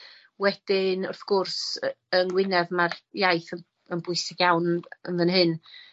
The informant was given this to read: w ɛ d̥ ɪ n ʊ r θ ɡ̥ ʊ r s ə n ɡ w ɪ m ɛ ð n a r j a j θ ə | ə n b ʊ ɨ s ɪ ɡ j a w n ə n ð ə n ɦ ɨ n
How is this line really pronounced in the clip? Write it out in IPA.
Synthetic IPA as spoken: w ɛ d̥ ɪ n ʊ r θ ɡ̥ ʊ r s ə n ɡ w ɪ n ɛ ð m a r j a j θ ə | ə n b ʊ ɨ s ɪ ɡ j a w n ə n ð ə n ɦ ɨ n